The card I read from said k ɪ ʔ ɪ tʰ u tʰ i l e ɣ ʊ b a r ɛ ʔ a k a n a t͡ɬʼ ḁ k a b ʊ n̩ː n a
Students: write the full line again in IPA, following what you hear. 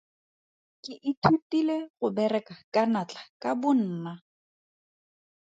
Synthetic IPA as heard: k ɪ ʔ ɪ tʰ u t i l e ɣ ʊ b ɛ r ɛ k a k a n a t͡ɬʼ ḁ k a b ʊ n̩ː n a

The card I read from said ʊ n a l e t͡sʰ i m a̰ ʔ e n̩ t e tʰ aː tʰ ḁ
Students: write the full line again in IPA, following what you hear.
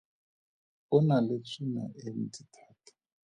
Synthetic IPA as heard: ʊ n a l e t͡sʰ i n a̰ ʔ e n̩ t i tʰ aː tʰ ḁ

